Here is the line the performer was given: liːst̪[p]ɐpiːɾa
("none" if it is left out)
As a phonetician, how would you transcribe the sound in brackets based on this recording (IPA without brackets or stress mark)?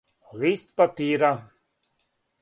p